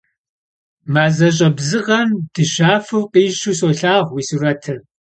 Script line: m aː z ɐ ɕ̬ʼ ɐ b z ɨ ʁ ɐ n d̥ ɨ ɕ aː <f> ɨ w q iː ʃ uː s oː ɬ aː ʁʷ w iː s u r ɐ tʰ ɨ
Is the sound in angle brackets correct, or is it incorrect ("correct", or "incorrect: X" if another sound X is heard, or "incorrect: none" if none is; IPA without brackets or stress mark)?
correct